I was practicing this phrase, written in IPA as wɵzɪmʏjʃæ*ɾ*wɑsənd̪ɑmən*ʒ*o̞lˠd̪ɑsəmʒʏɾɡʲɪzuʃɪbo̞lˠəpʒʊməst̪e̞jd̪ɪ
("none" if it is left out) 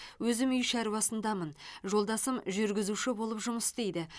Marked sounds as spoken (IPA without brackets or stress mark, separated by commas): ɾ, ʒ